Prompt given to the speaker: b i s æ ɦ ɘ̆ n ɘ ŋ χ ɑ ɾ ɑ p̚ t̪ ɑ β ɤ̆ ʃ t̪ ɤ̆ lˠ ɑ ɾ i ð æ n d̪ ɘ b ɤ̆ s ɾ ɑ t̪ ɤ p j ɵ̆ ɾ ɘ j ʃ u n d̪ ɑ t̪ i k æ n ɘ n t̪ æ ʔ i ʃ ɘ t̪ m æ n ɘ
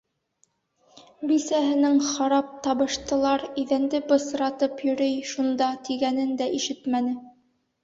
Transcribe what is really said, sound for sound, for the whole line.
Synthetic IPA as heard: b i s æ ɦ ɘ̆ n ɘ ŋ χ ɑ ɾ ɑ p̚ t̪ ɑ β ɤ̆ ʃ t̪ ɤ̆ lˠ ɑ ɾ i ð æ n d̪ ɘ b ɤ̆ s ɾ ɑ t̪ ɤ p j ɵ̆ ɾ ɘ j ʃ u n d̪ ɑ t̪ i ɡ æ n ɘ n d̪ æ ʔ i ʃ ɘ t̪ m æ n ɘ